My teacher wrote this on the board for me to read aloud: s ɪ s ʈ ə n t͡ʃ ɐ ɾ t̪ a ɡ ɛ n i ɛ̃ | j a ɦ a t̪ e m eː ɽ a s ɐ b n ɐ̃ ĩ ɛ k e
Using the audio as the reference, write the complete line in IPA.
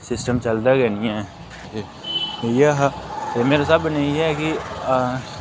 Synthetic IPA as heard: s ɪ s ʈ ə m t͡ʃ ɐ l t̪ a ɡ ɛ n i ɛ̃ | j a ɦ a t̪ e m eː ɾ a s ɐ b n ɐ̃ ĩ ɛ k i